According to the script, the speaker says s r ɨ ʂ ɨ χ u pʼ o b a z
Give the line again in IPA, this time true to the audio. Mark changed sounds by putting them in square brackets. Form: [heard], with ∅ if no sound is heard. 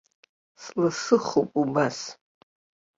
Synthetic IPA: s [l] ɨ [s] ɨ χ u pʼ [u] b a [s]